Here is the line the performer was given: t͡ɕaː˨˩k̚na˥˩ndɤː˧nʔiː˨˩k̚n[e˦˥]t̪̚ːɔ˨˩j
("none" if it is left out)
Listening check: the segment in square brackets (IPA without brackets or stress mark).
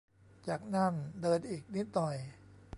i˦˥